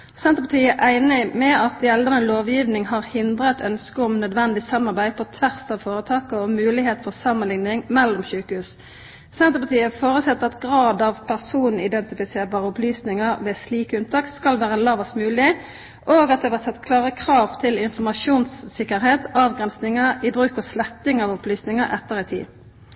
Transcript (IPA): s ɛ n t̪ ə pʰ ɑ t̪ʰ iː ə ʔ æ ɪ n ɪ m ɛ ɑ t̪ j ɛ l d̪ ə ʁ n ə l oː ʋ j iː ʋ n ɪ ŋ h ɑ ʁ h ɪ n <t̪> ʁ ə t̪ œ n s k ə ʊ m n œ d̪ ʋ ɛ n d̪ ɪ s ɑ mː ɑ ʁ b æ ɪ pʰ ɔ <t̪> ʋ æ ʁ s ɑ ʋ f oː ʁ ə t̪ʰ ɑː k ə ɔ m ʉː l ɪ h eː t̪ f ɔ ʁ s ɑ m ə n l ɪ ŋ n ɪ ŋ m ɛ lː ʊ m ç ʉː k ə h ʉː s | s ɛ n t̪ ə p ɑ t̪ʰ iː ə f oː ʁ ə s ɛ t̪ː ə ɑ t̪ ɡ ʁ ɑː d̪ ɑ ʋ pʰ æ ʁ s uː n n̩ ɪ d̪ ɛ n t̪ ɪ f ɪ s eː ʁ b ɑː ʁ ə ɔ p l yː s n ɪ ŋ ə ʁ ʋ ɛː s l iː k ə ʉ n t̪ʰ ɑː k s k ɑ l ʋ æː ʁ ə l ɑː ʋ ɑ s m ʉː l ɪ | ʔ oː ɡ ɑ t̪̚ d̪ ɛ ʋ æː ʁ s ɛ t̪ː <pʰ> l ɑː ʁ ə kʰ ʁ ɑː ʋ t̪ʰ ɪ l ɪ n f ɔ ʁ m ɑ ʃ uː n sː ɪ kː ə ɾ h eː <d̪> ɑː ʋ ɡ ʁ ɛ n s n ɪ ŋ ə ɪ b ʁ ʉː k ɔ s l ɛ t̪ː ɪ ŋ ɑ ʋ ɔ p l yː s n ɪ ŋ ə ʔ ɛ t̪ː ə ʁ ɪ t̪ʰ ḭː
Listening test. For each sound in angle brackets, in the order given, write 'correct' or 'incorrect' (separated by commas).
incorrect, incorrect, incorrect, incorrect